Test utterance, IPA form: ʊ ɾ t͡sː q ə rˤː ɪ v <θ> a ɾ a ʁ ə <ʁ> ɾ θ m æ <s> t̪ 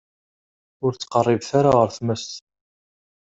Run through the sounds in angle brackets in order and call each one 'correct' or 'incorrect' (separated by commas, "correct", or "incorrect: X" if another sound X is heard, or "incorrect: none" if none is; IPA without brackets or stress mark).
correct, incorrect: none, correct